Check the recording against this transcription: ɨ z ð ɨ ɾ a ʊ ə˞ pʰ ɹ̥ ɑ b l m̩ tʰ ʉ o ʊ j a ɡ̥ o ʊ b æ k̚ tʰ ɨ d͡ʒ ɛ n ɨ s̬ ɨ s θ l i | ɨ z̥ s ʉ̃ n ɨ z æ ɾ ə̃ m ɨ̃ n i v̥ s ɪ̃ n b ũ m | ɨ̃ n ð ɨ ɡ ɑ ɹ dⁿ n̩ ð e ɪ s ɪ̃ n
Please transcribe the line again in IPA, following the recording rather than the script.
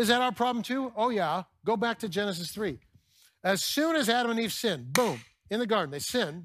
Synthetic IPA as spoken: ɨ z ð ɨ ɾ a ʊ ə˞ pʰ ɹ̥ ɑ b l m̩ tʰ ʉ o ʊ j æ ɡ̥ o ʊ b æ k̚ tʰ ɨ d͡ʒ ɛ n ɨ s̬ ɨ s θ ɹ i | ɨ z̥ s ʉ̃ n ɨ z æ ɾ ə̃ m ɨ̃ n i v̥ s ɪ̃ n b ũ m | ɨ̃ n ð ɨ ɡ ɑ ɹ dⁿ n̩ ð e ɪ s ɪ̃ n